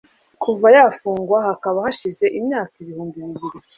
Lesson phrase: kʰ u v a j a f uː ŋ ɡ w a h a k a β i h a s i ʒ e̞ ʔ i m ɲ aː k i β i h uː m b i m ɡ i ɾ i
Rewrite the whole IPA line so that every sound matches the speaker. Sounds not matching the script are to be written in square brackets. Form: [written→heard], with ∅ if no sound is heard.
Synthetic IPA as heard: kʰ u v a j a f uː ŋ ɡ w a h a k a β [i→a] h a [s→ʃ] i [ʒ→z] e̞ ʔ i m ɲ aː k i β i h uː m b i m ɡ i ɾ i

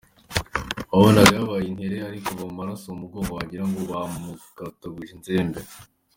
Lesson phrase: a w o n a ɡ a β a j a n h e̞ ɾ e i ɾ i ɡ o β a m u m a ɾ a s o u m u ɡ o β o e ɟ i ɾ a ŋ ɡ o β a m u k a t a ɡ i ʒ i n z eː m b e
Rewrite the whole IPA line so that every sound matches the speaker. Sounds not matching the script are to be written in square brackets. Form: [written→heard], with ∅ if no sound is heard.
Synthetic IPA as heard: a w o n a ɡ a β a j [a→i] n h e̞ ɾ e [i→a] ɾ i [ɡ→k] o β a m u m a ɾ a s o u m u ɡ o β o [e→a] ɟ i ɾ a ŋ ɡ o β a m u k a t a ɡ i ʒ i n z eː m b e

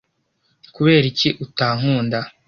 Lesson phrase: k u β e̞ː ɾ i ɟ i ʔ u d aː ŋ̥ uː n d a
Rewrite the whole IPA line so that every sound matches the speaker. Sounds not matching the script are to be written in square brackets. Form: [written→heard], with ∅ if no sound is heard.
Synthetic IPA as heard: k u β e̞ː ɾ i [ɟ→c] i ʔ u [d→t] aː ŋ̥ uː n d a

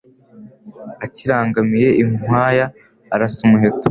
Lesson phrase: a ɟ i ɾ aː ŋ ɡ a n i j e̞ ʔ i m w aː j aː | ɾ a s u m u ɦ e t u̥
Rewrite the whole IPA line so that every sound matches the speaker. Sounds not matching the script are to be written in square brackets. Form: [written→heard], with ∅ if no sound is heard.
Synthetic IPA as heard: a [ɟ→c] i ɾ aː ŋ ɡ a [n→m] i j e̞ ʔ i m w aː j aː | ɾ a s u m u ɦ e t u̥

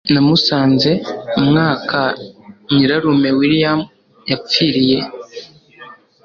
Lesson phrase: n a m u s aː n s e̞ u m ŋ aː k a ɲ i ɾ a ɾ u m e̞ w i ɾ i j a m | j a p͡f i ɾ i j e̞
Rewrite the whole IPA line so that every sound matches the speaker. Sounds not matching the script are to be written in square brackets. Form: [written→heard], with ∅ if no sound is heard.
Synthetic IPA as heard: n a m u s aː n [s→z] e̞ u m ŋ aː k a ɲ i ɾ a ɾ u m e̞ w i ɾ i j a m | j a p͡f i ɾ i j e̞

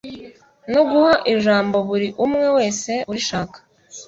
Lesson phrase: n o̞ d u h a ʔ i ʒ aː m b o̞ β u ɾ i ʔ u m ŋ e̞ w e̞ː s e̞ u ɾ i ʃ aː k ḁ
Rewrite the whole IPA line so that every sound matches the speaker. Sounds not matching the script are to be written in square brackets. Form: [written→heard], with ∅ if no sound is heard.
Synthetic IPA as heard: n o̞ [d→ɡ] u h a ʔ i ʒ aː m b o̞ β u ɾ i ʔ u m ŋ e̞ w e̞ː s e̞ u ɾ i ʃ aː k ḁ

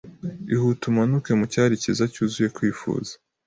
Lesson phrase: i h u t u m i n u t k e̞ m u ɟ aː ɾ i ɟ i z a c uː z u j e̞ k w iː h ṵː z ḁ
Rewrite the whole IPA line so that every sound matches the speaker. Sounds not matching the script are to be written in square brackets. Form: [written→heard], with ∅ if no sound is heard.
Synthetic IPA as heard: i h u t u m [i→a] n u [t→∅] k e̞ m u [ɟ→c] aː ɾ i [ɟ→c] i z a c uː z u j e̞ k w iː [h→f] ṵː z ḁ

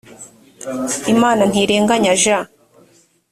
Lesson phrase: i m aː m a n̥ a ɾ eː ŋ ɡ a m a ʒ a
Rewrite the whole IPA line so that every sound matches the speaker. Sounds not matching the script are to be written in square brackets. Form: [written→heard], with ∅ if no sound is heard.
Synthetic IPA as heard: i m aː [m→n] a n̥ [a→i] ɾ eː ŋ ɡ a [m→ɲ] a ʒ a

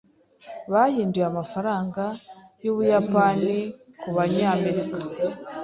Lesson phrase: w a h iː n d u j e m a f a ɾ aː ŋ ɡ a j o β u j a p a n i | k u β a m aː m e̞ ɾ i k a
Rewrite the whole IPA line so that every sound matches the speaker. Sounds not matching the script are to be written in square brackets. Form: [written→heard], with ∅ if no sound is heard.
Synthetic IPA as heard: [w→β] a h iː n d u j [e→a] m a f a ɾ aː ŋ ɡ a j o β u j a p a n i | k u β a [m→ɲ] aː m e̞ ɾ i k a

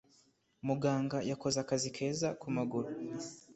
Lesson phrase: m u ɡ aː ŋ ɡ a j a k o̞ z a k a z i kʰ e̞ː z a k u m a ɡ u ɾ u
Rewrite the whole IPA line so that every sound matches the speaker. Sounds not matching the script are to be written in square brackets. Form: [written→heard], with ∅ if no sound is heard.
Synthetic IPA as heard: m u ɡ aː ŋ ɡ a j a k o̞ z a k a z i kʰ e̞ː z a k u m a ɡ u ɾ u

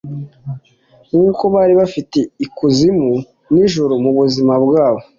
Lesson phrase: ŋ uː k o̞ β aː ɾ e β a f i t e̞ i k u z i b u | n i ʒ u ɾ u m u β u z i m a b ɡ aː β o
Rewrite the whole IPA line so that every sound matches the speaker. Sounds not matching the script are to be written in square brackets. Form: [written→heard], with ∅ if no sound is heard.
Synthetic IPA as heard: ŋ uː k o̞ β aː ɾ [e→i] β a f i t e̞ i k u z i [b→m] u | n i ʒ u ɾ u m u β u z i m a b ɡ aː β o

